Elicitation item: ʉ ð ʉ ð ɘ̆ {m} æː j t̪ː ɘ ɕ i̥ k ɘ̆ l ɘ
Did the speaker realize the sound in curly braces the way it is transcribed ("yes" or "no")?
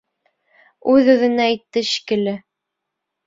no